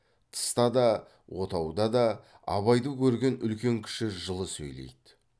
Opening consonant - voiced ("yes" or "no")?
no